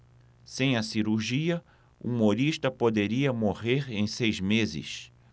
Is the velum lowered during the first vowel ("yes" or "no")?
yes